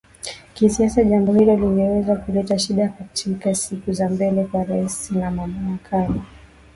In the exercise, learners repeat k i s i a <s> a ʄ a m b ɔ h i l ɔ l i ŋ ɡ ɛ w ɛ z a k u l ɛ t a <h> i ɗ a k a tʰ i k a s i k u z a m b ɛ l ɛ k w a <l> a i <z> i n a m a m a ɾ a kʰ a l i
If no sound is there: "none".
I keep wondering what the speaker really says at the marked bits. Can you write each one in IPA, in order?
s, ʃ, ɾ, s

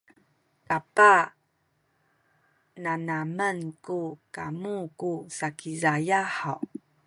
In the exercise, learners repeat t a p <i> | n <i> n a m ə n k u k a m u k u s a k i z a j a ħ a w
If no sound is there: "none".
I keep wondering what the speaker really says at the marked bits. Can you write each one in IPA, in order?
a, a

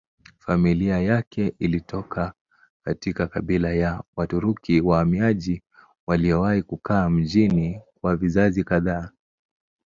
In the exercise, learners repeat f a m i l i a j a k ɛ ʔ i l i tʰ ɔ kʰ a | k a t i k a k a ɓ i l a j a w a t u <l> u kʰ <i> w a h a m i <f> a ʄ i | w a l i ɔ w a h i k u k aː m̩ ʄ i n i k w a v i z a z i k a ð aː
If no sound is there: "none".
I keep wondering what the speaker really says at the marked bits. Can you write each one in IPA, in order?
ɾ, i, none

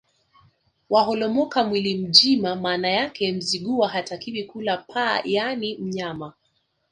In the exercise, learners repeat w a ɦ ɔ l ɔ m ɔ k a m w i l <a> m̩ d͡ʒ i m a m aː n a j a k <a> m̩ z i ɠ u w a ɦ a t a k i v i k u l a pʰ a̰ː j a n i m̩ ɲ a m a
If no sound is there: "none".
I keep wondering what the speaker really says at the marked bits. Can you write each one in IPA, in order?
i, ɛ

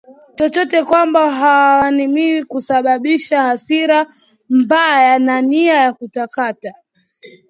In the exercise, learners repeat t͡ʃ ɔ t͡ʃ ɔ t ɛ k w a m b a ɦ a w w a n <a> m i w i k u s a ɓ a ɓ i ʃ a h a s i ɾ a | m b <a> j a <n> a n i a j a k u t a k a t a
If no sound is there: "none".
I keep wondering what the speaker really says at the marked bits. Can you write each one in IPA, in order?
i, a, n

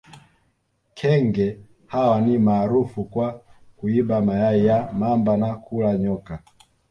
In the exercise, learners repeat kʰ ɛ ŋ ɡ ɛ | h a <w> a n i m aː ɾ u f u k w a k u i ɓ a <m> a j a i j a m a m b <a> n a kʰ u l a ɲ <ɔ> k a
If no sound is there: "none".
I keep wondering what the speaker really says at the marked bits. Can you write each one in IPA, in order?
w, m, a, ɔ

